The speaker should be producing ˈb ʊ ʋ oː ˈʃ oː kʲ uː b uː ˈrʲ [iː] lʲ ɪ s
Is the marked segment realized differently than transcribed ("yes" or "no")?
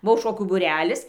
yes